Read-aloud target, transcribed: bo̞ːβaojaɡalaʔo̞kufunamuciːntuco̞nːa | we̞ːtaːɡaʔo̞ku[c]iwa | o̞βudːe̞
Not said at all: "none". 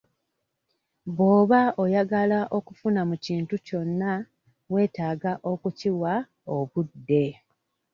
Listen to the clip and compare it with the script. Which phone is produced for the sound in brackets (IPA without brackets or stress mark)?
c